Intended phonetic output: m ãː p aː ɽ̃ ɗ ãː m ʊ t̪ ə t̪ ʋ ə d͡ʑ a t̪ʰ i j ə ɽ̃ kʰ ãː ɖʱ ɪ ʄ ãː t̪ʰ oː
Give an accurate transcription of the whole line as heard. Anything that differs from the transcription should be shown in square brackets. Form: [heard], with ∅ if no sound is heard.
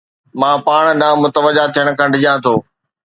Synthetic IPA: m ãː p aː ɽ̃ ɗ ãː m ʊ t̪ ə [∅] ʋ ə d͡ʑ a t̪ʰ i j ə ɽ̃ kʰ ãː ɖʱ ɪ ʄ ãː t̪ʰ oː